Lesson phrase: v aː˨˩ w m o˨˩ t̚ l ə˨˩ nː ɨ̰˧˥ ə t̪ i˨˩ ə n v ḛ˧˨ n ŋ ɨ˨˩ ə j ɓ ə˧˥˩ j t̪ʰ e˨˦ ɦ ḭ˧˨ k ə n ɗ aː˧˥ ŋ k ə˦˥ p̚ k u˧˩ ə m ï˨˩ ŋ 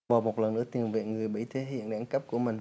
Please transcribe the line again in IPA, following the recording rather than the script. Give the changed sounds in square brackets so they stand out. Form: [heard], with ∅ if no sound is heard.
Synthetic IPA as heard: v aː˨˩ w m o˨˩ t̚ l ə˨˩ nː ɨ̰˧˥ ə t̪ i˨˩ ə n v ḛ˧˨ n ŋ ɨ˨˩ ə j ɓ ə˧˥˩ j t̪ʰ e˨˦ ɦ ḭ˧˨ [∅] ə n ɗ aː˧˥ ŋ k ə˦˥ p̚ k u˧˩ ə m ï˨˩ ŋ